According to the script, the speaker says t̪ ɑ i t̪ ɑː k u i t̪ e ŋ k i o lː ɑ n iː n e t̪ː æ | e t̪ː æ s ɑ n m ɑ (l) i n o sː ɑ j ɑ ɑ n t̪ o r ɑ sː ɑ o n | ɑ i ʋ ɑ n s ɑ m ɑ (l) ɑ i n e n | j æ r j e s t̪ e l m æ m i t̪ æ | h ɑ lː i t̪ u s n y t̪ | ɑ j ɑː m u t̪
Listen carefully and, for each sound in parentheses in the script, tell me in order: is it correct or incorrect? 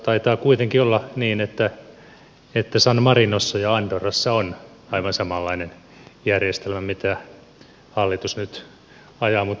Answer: incorrect, incorrect

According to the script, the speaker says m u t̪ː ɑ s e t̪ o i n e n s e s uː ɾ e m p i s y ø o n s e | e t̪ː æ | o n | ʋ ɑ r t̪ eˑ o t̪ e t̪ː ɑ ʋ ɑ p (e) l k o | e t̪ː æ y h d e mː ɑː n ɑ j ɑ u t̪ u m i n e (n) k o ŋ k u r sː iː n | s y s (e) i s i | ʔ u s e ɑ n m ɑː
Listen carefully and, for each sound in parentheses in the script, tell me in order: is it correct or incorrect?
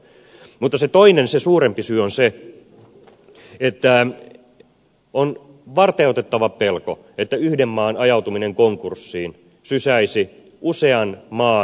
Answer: correct, incorrect, incorrect

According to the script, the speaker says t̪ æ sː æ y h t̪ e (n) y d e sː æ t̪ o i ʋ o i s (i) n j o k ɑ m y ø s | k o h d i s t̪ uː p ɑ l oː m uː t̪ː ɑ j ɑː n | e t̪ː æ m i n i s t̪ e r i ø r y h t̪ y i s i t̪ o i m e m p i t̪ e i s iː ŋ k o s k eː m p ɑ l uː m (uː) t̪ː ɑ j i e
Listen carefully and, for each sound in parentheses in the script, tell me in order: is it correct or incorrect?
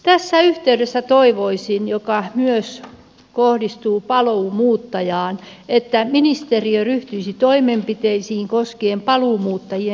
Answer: incorrect, correct, correct

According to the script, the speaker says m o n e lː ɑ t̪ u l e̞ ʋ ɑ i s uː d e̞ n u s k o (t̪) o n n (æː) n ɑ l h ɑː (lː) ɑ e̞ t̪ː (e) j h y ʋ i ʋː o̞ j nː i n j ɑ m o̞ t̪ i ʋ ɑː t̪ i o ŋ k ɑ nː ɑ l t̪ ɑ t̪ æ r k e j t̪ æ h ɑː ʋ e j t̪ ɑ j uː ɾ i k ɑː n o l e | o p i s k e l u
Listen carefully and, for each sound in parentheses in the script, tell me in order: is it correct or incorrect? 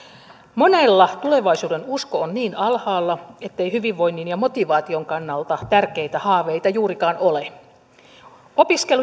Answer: incorrect, incorrect, correct, correct

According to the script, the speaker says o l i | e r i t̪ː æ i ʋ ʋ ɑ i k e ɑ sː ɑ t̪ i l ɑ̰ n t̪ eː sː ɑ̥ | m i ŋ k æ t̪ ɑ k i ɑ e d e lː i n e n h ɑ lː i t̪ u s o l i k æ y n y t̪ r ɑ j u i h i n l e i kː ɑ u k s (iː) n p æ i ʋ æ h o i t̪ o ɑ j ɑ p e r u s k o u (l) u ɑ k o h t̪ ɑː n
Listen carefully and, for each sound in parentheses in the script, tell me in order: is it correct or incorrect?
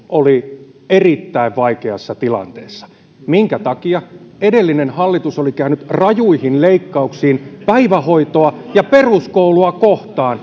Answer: correct, correct

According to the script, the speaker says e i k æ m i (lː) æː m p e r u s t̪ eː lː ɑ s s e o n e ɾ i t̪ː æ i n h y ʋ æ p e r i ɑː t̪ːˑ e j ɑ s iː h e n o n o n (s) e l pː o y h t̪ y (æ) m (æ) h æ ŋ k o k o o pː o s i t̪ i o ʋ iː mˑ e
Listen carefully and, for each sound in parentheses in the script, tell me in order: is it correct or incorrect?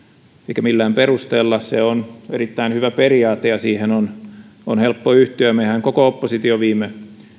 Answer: correct, incorrect, correct, incorrect

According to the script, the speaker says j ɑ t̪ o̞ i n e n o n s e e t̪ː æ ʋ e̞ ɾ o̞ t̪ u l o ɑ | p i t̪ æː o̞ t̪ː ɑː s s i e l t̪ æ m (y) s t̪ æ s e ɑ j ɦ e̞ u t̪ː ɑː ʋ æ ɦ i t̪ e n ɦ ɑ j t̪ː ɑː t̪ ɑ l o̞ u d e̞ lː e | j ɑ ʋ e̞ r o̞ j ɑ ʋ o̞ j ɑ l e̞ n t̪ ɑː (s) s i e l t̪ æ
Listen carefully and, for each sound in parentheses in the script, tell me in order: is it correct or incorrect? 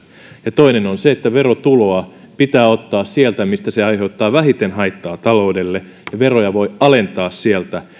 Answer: incorrect, correct

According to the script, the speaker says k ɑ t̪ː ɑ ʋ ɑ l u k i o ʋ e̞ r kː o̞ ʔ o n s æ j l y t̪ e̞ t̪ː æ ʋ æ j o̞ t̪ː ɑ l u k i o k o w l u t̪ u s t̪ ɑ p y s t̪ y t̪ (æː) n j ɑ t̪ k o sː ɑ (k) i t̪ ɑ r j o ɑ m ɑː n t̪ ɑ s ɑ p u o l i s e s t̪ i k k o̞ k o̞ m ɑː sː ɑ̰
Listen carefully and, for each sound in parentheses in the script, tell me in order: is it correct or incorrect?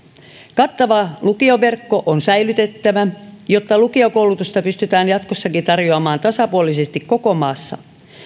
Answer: correct, correct

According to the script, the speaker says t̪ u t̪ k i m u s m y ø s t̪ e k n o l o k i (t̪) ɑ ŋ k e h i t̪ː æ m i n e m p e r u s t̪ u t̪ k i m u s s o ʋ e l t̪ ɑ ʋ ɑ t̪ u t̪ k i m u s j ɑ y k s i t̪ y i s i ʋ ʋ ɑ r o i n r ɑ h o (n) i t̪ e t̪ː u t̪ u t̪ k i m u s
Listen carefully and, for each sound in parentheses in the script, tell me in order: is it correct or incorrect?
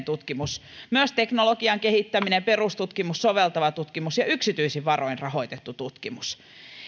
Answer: incorrect, incorrect

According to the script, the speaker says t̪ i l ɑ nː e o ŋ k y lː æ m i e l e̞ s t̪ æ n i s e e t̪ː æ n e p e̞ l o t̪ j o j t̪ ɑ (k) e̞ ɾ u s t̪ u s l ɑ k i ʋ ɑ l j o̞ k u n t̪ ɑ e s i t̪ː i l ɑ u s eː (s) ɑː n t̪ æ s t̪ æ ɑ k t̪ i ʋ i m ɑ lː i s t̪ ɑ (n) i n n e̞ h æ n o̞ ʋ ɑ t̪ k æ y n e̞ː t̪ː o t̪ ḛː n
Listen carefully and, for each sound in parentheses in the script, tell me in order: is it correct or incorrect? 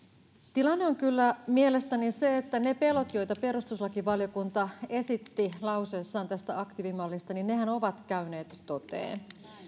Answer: incorrect, incorrect, correct

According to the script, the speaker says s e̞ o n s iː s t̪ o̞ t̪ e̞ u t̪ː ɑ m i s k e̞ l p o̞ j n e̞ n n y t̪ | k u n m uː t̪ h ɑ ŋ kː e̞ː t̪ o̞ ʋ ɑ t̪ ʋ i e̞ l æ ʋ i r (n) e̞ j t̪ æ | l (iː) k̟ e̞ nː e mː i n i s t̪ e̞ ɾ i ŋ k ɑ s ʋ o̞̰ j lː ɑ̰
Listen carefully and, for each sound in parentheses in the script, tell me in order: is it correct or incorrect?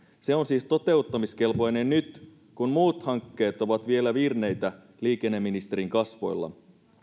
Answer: correct, correct

